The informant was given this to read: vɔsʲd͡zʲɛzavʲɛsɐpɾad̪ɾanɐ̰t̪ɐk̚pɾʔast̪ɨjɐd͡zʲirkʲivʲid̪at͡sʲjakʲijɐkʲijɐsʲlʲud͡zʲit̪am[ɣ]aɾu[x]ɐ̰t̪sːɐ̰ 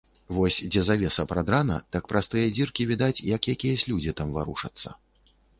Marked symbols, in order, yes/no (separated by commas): no, no